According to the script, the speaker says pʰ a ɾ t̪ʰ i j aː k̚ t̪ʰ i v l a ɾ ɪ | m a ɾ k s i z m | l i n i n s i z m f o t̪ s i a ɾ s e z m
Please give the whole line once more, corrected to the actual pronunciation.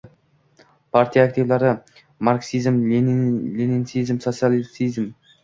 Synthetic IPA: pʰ a ɾ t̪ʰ i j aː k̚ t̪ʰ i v l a ɾ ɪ | m a ɾ k s i z m | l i n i n s i z m s o t̪ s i a l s i z m